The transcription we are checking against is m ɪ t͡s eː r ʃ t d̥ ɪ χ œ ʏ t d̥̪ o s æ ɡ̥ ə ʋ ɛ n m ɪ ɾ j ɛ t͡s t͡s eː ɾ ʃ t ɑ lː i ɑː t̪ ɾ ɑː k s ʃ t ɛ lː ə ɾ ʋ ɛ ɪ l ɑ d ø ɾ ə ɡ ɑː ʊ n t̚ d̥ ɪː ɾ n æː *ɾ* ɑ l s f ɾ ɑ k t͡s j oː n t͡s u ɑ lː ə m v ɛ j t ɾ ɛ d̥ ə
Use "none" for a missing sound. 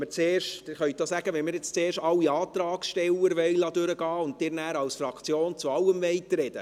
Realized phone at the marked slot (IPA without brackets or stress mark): ɾ